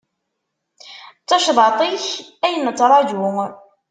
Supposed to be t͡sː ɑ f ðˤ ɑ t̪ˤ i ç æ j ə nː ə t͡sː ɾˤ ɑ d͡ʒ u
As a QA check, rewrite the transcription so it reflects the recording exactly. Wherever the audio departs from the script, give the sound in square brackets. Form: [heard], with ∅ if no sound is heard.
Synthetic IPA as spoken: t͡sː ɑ [ʃ] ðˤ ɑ t̪ˤ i ç æ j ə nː ə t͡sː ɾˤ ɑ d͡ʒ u